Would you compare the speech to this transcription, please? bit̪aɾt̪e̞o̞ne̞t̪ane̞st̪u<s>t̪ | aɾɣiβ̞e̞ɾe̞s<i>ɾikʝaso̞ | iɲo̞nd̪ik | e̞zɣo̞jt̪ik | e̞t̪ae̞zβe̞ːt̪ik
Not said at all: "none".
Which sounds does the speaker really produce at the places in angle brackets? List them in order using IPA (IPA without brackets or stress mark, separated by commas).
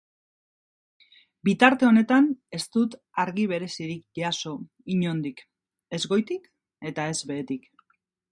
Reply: none, i